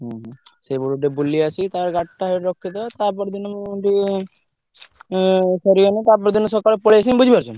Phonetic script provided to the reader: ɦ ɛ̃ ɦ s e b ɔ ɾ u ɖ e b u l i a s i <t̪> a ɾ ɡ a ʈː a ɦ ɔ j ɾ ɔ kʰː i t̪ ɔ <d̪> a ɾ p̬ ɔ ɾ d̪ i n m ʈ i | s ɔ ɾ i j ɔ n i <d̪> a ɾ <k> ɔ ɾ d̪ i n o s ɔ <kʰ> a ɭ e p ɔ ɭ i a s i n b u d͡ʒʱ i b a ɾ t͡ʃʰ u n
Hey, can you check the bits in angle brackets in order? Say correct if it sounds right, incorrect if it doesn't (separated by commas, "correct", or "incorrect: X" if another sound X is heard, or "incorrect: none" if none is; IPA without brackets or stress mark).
correct, incorrect: t̪, incorrect: t̪, incorrect: p, incorrect: k